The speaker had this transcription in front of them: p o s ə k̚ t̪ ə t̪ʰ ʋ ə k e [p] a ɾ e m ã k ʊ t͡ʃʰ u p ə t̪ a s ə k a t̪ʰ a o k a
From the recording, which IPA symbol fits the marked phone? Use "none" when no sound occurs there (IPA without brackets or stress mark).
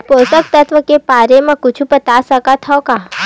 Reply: p